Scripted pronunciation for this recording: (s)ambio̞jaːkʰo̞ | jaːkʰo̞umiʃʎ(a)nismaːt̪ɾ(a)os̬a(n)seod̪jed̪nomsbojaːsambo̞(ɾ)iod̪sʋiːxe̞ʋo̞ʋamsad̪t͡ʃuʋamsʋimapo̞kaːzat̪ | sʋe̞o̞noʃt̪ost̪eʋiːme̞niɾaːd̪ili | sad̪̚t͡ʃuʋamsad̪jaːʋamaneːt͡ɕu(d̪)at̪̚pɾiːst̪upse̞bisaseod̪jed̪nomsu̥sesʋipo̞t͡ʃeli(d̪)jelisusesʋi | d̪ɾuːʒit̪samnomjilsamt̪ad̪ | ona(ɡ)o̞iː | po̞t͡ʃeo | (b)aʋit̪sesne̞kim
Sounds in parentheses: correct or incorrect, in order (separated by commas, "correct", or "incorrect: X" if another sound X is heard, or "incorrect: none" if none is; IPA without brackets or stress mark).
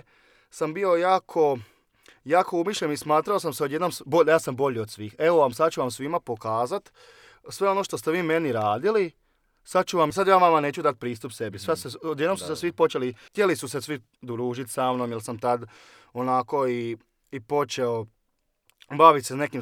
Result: correct, incorrect: e, correct, incorrect: m, incorrect: ʎ, correct, incorrect: t̪, incorrect: k, correct